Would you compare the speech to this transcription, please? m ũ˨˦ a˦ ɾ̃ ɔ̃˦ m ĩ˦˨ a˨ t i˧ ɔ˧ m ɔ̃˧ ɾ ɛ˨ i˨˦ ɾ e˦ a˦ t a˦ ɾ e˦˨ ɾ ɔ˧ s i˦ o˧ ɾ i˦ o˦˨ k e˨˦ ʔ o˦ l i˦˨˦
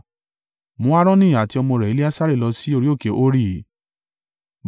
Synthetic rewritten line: m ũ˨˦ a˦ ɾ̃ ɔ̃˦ n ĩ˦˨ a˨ t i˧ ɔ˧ m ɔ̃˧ ɾ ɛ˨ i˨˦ l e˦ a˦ s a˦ ɾ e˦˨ l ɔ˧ s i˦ o˧ ɾ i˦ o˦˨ k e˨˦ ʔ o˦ ɾ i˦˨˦

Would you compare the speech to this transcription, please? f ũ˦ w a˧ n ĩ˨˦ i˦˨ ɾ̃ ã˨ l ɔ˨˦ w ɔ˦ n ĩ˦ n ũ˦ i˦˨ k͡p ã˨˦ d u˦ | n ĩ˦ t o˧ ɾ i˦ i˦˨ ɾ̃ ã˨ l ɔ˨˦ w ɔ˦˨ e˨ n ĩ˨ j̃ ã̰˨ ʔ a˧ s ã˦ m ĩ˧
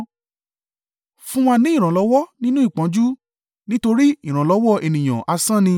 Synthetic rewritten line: f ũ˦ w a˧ n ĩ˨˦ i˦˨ ɾ̃ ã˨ l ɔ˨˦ w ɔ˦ n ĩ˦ n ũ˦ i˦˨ k͡p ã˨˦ d͡ʒ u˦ | n ĩ˦ t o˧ ɾ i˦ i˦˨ ɾ̃ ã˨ l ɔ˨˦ w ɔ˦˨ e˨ n ĩ˨ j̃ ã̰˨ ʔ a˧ s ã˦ n ĩ˧

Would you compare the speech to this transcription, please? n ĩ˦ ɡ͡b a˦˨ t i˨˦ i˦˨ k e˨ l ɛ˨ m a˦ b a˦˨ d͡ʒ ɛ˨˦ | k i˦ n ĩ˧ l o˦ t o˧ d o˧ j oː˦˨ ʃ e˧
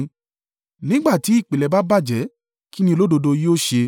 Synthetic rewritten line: n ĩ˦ ɡ͡b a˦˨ t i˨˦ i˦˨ k͡p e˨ l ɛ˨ b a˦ b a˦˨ d͡ʒ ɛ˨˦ | k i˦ n ĩ˧ l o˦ d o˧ d o˧ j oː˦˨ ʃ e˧

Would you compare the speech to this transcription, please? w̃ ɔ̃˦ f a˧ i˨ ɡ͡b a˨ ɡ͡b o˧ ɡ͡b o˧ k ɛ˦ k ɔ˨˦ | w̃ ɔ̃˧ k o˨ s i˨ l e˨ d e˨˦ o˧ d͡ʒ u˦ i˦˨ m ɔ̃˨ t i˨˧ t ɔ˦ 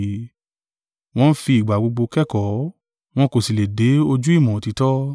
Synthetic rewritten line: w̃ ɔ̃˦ f i˧ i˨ ɡ͡b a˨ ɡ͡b o˧ ɡ͡b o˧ k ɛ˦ k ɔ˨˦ | w̃ ɔ̃˧ k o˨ s i˨ l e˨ d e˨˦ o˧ d͡ʒ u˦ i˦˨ m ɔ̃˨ t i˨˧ t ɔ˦

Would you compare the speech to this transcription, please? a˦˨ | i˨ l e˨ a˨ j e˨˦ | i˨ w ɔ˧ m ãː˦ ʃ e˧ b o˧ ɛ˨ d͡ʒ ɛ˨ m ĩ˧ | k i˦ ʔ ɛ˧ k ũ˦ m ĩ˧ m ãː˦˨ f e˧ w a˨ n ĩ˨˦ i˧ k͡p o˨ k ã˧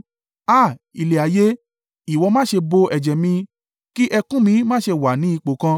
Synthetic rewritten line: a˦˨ | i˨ l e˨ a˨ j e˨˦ | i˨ w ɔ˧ m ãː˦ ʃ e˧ b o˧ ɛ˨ d͡ʒ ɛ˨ m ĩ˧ | k i˦ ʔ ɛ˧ k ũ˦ m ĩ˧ m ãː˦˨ ʃ e˧ w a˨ n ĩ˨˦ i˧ k͡p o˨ k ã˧

